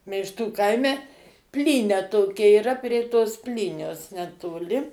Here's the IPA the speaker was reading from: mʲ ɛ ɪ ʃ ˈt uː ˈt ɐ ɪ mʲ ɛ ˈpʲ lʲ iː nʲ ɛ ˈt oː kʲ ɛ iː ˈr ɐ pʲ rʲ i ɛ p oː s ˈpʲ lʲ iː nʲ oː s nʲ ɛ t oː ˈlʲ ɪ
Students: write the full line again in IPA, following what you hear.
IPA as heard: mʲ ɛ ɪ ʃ ˈt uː ˈk ɐ ɪ mʲ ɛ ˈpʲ lʲ iː nʲ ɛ ˈt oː kʲ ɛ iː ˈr ɐ pʲ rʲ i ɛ t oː s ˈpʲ lʲ iː nʲ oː s nʲ ɛ t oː ˈlʲ ɪ